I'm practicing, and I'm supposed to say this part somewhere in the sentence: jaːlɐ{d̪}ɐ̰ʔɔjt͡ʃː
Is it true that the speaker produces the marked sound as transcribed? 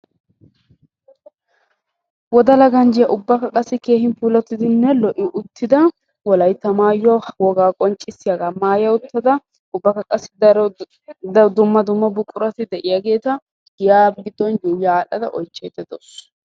yes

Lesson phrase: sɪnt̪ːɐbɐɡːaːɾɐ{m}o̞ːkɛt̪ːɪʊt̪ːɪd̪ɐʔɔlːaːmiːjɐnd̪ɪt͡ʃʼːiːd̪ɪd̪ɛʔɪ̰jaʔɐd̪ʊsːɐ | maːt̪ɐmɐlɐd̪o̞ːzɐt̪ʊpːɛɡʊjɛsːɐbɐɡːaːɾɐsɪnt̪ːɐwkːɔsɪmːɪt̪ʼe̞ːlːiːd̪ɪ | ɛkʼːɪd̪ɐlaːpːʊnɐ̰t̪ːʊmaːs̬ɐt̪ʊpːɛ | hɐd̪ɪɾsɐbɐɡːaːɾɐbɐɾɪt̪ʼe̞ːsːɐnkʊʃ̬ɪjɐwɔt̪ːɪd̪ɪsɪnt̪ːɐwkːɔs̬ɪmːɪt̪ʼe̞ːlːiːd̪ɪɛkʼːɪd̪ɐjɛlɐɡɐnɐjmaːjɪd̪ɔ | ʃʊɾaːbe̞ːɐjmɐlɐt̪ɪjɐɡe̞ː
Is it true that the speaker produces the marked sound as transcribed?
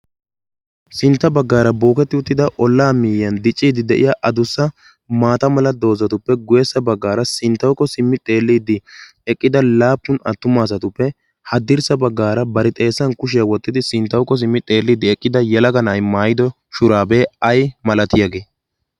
no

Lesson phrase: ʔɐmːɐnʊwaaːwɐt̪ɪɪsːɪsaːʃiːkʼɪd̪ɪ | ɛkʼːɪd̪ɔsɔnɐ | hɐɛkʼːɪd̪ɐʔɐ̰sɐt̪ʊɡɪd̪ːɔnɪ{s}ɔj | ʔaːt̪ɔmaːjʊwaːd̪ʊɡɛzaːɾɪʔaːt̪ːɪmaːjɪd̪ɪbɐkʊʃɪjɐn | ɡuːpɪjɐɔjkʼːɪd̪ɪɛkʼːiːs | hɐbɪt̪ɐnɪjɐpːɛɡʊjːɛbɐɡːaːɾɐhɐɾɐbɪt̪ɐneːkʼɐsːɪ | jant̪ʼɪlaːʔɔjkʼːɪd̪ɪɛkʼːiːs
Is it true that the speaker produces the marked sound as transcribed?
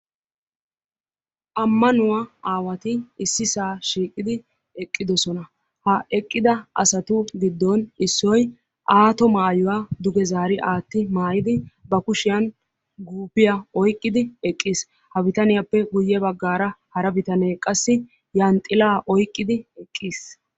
no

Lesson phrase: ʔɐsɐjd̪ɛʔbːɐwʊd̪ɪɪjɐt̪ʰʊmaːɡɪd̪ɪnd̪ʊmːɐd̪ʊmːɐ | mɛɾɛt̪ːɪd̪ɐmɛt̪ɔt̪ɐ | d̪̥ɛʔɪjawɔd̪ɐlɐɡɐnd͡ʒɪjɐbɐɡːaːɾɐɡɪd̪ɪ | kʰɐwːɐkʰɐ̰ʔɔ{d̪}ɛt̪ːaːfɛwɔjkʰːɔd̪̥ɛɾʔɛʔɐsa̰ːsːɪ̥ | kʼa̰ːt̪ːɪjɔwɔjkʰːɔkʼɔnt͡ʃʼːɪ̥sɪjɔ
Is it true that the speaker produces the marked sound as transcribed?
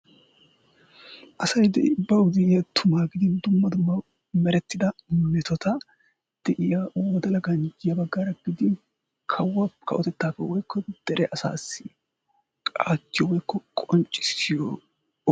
no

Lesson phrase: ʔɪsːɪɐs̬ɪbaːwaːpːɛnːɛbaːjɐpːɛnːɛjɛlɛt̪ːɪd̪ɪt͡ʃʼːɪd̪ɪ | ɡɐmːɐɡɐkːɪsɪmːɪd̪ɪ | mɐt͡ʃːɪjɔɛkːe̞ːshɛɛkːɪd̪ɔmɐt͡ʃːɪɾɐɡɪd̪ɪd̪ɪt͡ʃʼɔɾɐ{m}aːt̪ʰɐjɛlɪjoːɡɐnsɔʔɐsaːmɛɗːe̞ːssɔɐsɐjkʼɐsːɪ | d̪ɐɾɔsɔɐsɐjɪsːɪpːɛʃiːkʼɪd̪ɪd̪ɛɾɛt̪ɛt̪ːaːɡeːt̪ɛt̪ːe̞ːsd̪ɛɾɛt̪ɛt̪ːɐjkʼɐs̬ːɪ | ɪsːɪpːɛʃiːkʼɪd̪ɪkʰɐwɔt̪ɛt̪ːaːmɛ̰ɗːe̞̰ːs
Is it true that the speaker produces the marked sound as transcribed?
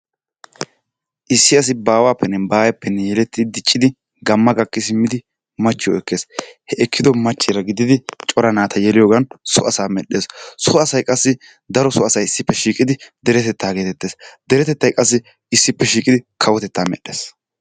no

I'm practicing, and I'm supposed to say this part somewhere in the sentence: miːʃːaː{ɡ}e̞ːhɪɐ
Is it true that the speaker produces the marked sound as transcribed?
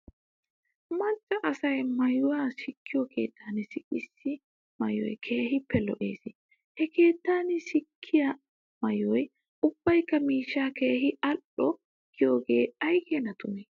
no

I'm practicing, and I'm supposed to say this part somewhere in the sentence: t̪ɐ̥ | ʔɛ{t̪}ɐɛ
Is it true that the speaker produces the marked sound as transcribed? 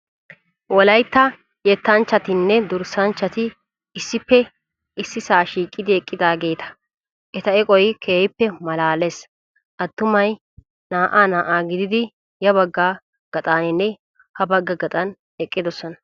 yes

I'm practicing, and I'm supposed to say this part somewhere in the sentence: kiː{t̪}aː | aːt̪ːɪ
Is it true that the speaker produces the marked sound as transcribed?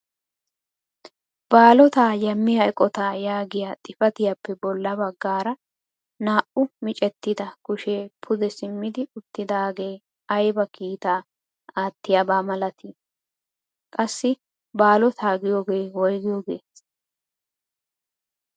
yes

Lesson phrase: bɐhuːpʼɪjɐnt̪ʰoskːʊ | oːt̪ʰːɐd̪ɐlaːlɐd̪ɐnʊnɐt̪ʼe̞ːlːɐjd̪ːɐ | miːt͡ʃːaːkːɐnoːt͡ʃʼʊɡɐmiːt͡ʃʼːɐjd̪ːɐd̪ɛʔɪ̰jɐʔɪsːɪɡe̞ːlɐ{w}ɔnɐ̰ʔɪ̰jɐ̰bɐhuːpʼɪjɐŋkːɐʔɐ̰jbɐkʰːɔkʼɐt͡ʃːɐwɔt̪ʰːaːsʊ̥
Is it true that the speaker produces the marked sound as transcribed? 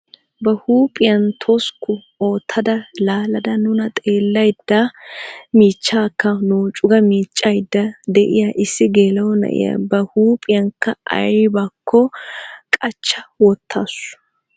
yes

